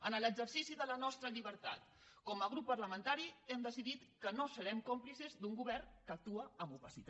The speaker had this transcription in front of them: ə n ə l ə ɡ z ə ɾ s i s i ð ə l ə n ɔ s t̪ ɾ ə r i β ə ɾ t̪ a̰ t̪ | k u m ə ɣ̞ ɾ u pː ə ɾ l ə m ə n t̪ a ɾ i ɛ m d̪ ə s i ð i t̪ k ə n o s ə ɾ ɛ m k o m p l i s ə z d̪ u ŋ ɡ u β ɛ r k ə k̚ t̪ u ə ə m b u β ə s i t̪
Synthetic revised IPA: ə n ə l ə ɡ z ə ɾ s i s i ð ə l ə n ɔ s t̪ ɾ ə ʎ i β ə ɾ t̪ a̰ t̪ | k ɔ m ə ɣ̞ ɾ u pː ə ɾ l ə m ə n t̪ a ɾ i ɛ m d̪ ə s i ð i t̪ k ə n o s ə ɾ ɛ m k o m p l i s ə z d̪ u ŋ ɡ u β ɛ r k ə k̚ t̪ u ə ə m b u β ə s i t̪